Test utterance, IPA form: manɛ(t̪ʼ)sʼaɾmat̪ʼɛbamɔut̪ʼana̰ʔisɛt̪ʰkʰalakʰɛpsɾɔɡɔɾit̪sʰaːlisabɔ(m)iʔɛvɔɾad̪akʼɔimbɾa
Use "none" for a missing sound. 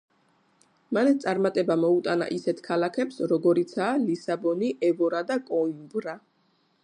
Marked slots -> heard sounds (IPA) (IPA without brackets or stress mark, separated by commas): t̪, n